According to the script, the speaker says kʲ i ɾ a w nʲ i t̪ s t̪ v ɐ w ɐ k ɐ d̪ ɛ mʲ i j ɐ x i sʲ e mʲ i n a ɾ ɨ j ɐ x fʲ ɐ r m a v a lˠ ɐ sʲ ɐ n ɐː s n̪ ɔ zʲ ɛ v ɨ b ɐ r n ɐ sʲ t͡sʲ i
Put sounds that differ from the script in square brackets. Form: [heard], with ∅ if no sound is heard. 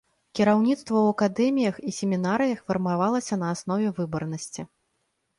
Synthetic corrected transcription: kʲ i ɾ a w nʲ i t̪ s t̪ v ɐ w ɐ k [a] d̪ ɛ mʲ i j ɐ x i sʲ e mʲ i n a ɾ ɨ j ɐ x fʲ ɐ r m a v a lˠ ɐ sʲ ɐ n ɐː s n̪ ɔ [vʲ] ɛ v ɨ b ɐ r n ɐ sʲ t͡sʲ i